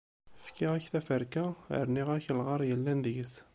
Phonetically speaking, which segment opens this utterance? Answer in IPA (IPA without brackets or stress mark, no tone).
f